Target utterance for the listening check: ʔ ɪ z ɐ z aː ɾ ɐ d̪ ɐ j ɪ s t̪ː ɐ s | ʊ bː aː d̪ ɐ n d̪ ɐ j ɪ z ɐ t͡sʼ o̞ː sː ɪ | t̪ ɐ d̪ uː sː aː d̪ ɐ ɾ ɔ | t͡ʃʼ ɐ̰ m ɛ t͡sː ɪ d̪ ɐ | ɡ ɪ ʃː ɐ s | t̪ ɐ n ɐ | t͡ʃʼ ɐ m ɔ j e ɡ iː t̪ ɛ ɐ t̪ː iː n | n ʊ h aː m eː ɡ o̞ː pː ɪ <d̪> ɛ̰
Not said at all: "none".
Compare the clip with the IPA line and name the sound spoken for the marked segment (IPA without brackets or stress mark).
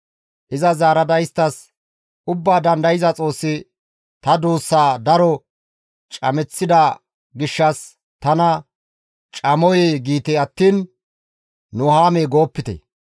t̪